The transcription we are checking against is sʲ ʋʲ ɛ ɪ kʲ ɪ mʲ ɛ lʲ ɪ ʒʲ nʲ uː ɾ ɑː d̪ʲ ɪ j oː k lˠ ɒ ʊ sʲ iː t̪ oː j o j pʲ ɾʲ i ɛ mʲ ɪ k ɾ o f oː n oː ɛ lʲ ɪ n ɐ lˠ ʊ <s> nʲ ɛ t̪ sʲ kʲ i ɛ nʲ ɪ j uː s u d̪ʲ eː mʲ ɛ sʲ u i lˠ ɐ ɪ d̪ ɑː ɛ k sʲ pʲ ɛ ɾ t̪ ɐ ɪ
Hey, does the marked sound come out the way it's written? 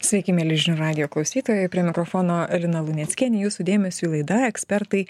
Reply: no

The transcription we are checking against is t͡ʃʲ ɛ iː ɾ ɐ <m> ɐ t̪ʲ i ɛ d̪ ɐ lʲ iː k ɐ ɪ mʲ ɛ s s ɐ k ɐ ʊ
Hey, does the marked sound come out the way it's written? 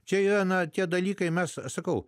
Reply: no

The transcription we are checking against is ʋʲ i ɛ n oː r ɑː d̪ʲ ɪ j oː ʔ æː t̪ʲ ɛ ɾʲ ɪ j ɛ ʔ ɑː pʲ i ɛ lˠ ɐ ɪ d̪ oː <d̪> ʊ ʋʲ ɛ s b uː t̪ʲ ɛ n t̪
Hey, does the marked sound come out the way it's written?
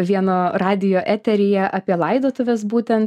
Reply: no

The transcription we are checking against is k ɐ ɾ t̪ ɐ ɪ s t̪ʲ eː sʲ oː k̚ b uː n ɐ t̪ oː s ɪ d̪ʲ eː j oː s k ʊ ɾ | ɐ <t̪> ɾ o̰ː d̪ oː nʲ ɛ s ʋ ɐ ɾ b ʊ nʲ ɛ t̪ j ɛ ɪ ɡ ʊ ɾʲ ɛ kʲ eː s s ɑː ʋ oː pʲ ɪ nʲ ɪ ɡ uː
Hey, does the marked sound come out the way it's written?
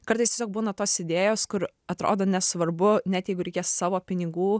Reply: yes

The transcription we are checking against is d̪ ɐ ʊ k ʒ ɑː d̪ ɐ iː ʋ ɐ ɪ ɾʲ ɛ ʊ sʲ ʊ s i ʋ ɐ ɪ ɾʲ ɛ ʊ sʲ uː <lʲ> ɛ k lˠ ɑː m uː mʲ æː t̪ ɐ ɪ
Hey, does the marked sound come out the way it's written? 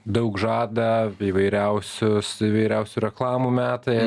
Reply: no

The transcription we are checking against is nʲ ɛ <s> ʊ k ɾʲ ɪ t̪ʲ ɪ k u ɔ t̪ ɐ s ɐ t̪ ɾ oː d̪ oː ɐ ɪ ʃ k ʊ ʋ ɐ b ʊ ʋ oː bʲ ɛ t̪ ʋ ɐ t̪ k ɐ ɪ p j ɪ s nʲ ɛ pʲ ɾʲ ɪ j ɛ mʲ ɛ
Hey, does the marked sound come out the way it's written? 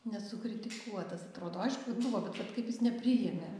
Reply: yes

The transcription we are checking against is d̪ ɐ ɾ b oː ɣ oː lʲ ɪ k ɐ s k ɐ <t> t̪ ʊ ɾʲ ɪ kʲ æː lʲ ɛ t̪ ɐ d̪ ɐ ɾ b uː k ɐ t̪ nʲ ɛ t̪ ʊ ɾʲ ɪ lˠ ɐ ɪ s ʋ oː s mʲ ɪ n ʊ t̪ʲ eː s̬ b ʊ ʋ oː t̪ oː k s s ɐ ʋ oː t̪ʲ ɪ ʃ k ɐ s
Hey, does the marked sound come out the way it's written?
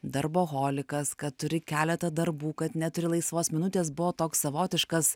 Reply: yes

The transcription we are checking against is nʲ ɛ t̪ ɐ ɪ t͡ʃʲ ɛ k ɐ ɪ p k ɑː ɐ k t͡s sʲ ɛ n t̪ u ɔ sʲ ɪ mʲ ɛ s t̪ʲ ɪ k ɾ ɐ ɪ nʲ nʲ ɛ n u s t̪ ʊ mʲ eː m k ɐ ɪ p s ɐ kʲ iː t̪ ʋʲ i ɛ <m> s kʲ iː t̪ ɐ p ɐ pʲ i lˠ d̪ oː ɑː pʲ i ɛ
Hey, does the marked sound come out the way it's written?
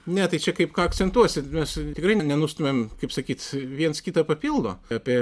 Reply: no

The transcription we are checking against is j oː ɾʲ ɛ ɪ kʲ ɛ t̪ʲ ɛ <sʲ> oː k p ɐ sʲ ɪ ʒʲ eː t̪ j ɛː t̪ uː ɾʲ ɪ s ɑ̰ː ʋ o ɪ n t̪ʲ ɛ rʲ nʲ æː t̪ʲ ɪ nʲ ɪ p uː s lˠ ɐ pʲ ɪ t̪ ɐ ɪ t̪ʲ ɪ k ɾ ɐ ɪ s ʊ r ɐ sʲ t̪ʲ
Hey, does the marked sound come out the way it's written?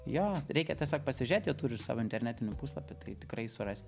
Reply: yes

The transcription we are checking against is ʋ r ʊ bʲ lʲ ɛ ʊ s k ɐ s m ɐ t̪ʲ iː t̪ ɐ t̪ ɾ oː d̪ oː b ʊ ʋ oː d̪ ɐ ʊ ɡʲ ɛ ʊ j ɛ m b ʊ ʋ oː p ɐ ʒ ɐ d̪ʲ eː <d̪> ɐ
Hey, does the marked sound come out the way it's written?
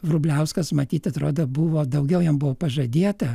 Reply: no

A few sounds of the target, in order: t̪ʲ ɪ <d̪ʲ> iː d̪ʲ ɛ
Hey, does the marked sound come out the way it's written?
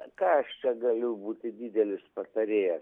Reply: yes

